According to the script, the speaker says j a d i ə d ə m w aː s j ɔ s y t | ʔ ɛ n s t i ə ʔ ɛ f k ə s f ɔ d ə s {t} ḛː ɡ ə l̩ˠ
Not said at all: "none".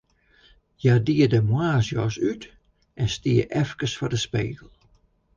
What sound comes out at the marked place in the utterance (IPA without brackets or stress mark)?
p